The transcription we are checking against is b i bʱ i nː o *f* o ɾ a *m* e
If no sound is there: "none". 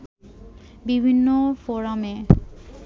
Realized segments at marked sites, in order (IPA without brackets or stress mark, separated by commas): f, m